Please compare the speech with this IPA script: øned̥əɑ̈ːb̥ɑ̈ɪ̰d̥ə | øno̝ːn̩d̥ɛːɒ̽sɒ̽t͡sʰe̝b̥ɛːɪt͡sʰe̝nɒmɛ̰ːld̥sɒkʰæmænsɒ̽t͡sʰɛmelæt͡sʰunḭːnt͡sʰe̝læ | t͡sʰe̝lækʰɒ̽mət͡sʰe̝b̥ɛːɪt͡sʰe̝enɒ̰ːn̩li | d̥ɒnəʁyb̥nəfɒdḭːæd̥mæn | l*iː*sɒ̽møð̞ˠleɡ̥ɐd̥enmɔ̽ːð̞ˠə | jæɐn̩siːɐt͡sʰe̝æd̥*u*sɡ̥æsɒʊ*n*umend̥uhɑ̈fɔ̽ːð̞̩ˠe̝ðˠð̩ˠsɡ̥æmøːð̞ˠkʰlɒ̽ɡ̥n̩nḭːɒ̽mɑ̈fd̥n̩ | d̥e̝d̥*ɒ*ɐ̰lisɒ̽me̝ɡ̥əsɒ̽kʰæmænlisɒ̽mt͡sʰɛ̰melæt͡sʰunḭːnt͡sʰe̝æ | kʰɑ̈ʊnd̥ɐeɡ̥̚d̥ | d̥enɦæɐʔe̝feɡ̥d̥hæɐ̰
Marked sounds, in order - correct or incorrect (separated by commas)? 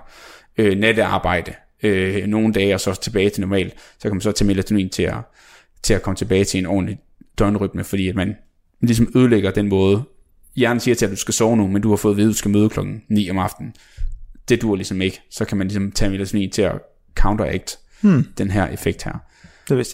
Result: incorrect, correct, correct, incorrect